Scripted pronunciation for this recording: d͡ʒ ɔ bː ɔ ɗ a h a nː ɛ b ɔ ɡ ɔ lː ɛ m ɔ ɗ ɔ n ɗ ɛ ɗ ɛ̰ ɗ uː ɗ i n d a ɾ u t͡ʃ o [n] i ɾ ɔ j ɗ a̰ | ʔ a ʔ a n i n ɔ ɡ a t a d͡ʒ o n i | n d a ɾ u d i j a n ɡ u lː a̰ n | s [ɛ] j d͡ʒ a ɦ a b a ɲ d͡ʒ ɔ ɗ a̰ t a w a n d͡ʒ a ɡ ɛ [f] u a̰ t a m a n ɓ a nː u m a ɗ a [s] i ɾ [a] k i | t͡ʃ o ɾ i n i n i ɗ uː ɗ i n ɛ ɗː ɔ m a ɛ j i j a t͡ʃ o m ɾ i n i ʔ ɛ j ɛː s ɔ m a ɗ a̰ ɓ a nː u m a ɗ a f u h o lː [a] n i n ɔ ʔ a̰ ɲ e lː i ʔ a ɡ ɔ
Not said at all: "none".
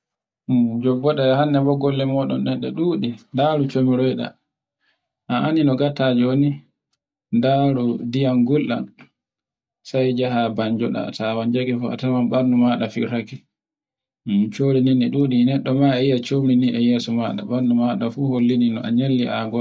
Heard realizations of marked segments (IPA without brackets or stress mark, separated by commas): m, a, f, f, a, i